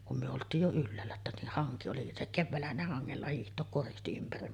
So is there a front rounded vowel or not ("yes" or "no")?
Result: yes